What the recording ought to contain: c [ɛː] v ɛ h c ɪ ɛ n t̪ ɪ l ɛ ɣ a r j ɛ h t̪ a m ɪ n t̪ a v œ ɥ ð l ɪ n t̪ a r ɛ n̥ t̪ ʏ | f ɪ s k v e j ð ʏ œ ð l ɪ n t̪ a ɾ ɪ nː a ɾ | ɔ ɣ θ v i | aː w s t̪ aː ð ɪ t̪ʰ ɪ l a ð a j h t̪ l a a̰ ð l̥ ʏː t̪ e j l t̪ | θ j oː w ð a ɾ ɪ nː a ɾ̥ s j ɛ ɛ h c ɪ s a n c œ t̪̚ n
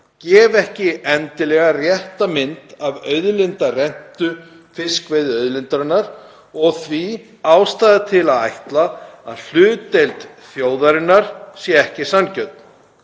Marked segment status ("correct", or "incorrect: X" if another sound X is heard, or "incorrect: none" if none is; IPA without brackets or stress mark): correct